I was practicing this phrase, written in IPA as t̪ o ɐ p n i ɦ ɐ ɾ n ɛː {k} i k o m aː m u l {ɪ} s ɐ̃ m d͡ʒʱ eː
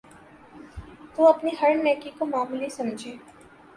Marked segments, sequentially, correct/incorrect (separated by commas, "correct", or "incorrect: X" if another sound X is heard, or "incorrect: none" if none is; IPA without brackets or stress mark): correct, incorrect: i